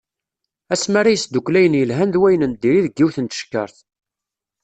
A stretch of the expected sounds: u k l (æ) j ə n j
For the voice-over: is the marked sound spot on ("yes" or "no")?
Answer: yes